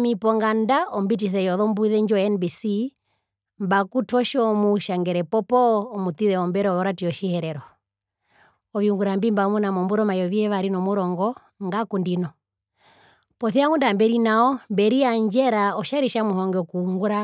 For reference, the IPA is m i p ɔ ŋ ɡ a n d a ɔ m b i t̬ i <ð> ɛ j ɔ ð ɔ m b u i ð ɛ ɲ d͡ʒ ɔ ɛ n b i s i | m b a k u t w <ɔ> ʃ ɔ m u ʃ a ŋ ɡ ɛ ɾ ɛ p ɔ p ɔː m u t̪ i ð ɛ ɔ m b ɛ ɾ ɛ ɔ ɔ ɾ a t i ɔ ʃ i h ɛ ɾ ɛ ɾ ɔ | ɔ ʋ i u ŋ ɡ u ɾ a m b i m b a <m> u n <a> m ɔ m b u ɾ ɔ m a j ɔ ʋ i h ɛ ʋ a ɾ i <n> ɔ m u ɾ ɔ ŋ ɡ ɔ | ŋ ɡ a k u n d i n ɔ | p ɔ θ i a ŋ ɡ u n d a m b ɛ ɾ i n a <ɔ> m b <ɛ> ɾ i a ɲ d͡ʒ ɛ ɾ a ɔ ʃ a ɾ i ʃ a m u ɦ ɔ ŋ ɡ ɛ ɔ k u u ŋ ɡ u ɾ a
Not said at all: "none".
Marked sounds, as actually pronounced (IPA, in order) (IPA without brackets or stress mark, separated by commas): θ, ɔ, m, a, n, ɔ, ɛ